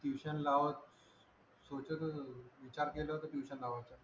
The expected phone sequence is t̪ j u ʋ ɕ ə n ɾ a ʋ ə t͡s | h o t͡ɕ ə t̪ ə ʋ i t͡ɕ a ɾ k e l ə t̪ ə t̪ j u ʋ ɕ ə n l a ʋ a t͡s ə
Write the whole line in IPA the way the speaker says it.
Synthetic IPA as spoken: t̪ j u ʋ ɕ ə n l a ʋ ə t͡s | s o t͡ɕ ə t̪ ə ʋ i t͡ɕ a ɾ k e l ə t̪ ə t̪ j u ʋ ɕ ə n l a ʋ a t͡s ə